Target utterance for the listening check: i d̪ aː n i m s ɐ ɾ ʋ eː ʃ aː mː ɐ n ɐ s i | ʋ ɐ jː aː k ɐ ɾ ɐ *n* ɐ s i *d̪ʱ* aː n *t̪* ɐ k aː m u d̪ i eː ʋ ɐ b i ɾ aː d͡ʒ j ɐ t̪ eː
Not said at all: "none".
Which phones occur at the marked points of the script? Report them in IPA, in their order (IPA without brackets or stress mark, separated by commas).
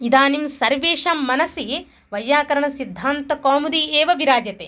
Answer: ɳ, d̪ʱː, t̪